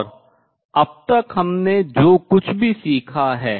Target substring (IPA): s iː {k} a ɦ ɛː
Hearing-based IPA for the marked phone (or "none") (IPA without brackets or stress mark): kʰ